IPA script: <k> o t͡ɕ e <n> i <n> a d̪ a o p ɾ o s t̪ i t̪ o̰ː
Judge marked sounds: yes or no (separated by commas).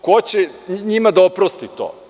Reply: yes, no, no